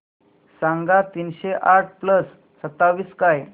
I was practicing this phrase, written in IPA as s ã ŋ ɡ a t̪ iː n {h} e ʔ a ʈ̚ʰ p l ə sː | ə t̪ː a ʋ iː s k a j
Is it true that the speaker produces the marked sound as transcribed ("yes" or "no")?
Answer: no